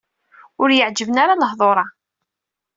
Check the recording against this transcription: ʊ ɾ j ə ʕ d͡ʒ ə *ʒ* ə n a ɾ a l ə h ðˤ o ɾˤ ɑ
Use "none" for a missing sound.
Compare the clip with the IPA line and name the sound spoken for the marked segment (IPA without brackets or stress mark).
v